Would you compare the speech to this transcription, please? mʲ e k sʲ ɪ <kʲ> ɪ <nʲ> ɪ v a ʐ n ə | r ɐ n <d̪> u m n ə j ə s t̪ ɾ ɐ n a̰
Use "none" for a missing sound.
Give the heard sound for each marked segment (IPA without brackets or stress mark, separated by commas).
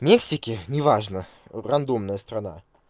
kʲ, nʲ, d̪